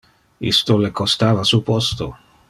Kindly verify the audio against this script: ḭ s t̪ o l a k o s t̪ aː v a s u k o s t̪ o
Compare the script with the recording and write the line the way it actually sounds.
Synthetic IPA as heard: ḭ s t̪ o l e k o s t̪ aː v a s u p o s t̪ o